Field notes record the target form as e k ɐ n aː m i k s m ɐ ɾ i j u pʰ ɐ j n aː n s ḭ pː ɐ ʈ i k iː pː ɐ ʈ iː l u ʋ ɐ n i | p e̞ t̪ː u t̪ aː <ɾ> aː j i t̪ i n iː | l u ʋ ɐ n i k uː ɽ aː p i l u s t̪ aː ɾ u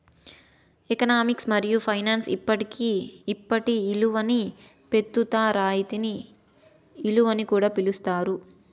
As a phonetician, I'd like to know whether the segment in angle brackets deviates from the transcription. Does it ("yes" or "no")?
no